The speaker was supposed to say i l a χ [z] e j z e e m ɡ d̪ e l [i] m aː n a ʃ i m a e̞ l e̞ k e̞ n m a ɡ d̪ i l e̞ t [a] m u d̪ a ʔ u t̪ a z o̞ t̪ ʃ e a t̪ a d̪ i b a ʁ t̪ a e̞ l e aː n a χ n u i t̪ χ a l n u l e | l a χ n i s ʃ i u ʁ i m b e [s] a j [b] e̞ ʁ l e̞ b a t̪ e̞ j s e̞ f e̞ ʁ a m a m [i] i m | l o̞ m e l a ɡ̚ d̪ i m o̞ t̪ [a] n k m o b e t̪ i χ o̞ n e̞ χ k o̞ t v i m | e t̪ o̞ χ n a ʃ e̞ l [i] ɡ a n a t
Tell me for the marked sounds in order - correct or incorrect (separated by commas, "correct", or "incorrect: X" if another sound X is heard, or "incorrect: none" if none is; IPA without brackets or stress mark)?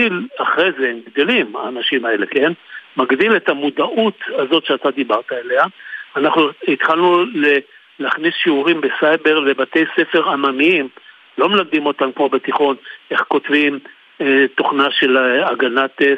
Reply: incorrect: ʁ, correct, correct, correct, correct, correct, correct, incorrect: a